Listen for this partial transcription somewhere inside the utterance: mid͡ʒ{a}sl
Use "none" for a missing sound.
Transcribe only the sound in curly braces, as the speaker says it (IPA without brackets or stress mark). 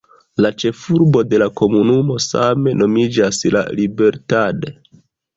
a